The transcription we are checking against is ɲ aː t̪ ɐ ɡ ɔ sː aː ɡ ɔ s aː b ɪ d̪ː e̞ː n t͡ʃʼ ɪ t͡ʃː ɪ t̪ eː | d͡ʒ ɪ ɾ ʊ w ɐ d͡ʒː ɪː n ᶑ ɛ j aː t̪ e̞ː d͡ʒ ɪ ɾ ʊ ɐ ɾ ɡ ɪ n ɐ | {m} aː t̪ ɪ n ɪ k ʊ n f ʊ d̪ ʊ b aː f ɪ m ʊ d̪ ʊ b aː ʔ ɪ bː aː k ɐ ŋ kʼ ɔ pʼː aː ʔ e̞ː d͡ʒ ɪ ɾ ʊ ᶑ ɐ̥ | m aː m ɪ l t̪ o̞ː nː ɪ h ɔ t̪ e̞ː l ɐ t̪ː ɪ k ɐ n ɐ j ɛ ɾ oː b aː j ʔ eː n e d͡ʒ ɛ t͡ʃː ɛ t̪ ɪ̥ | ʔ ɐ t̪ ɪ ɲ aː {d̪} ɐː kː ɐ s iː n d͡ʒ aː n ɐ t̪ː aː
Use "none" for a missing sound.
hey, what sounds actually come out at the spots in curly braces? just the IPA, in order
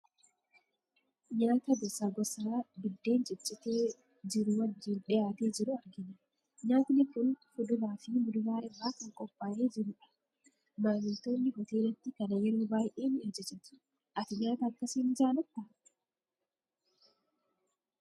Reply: ɲ, t̪

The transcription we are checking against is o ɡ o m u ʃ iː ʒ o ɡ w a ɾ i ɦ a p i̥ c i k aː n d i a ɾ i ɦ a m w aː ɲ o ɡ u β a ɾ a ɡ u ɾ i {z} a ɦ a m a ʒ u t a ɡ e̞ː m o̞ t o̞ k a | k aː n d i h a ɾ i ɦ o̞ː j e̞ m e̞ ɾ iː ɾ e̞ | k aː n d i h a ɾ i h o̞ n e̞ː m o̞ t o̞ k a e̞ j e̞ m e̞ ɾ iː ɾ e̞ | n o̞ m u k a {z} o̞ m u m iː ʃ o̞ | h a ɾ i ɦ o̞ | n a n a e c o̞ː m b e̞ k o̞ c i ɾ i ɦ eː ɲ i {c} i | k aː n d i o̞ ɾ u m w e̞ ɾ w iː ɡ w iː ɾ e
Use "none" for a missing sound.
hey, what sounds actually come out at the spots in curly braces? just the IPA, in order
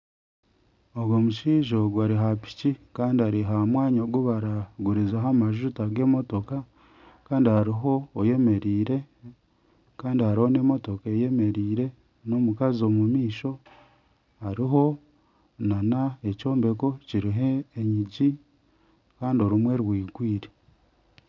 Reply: z, z, ɟ

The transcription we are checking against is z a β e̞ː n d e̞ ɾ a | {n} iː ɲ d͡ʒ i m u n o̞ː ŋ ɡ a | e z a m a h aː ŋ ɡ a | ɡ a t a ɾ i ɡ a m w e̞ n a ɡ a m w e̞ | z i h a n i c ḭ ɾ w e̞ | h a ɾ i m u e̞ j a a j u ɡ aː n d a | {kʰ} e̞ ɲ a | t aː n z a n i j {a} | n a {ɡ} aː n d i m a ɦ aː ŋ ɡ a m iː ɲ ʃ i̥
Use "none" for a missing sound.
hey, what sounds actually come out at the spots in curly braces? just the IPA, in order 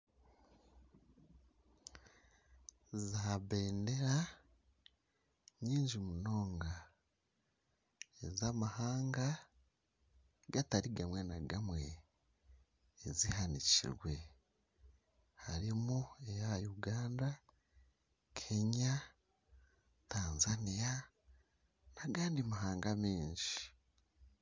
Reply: ɲ, kʰ, a, ɡ

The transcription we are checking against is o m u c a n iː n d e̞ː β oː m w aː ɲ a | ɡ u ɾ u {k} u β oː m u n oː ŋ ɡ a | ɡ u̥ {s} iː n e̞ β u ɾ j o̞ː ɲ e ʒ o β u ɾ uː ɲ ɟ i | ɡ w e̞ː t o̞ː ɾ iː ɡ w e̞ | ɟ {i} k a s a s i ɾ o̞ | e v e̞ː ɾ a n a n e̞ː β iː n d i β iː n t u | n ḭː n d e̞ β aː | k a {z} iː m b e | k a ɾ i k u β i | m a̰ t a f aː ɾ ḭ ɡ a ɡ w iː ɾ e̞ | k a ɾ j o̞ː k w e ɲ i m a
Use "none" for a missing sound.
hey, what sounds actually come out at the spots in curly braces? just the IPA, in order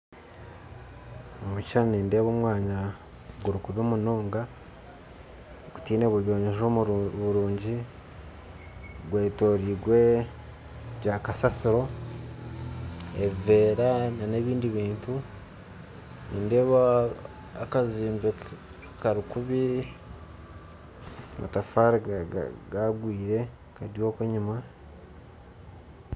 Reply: k, t, a, z

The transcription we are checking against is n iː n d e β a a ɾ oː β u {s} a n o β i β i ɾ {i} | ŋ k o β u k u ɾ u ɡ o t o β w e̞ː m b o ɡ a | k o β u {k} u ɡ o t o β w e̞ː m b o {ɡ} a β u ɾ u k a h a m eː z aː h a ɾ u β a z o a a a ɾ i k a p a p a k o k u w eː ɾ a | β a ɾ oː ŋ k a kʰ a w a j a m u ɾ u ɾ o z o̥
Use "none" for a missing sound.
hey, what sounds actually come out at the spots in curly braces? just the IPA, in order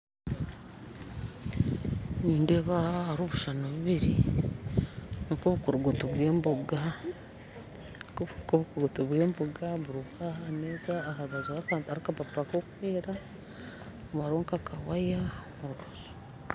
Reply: ʃ, i, k, ɡ

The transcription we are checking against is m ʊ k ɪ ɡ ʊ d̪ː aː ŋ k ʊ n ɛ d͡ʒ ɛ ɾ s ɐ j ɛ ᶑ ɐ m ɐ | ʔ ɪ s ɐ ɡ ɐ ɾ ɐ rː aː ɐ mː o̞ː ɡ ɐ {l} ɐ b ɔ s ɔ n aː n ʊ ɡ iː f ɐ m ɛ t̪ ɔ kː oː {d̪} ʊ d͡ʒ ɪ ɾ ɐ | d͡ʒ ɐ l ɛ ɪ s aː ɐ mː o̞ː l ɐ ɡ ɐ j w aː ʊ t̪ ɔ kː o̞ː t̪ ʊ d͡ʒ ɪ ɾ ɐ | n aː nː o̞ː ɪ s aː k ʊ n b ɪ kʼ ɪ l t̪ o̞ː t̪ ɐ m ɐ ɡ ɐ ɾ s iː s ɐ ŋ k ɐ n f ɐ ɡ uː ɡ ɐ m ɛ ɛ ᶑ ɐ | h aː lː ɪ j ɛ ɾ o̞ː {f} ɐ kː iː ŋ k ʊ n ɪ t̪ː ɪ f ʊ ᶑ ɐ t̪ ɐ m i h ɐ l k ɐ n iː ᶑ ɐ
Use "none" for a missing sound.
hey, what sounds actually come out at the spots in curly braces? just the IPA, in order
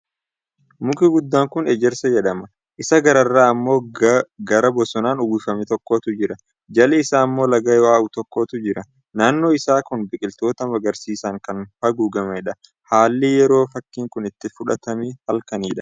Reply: ɾ, t̪, f

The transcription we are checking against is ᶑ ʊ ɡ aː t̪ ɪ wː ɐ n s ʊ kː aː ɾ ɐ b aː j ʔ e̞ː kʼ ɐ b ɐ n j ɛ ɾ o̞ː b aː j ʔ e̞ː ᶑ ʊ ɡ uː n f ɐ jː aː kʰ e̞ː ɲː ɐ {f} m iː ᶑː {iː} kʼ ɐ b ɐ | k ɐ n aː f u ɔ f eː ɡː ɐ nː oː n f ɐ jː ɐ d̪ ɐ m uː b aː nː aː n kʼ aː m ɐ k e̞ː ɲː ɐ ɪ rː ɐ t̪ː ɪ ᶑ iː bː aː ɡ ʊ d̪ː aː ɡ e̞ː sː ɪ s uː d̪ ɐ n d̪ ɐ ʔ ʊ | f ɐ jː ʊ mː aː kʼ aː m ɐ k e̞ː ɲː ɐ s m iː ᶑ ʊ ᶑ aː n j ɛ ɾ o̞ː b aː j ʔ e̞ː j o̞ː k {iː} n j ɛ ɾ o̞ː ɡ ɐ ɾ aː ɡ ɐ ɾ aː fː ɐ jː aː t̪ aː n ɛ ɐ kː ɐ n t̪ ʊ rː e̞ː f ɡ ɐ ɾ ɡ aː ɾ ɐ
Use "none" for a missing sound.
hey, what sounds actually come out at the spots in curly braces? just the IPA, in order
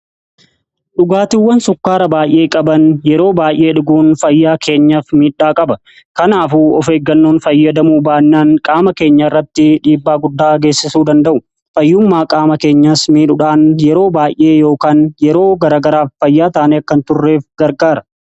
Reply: f, aː, aː

